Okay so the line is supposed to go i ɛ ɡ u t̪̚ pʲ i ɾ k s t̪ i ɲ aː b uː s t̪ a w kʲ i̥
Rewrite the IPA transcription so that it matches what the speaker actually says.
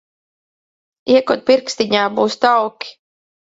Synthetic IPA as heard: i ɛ k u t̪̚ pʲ i ɾ k s t̪ i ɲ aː b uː s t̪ a w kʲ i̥